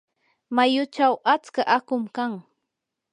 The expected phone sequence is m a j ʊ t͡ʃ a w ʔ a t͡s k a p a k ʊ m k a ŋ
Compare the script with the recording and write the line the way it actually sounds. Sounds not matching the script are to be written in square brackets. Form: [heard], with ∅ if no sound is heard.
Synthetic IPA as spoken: m a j ʊ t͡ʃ a w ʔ a t͡s k a [ʔ] a k ʊ m k a ŋ